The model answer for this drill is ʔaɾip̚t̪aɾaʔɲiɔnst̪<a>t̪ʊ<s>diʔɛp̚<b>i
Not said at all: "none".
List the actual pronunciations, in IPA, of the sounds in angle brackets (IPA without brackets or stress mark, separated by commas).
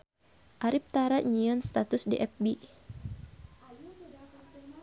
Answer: a, s, b